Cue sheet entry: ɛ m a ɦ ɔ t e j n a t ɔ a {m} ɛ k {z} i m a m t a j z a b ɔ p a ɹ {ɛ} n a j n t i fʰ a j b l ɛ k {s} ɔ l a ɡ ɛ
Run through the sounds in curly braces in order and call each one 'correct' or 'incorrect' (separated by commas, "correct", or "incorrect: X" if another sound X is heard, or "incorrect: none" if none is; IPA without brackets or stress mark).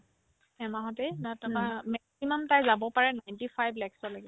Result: correct, incorrect: s, correct, correct